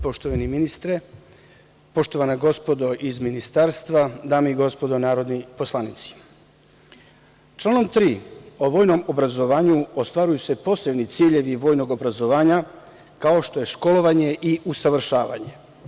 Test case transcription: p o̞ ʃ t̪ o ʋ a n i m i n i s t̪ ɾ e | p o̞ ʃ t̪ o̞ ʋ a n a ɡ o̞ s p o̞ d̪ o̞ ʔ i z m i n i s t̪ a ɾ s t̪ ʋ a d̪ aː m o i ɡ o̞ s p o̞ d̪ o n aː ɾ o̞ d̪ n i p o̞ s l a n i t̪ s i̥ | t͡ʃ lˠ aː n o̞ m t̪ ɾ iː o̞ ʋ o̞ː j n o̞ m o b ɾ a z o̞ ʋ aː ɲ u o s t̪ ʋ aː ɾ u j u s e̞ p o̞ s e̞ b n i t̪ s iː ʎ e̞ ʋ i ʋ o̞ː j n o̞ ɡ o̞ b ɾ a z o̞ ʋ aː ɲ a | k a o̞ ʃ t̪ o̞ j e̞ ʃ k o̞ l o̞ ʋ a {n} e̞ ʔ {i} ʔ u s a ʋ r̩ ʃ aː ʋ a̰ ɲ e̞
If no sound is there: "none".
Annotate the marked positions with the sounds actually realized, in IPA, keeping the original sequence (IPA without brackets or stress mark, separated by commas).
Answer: ɲ, i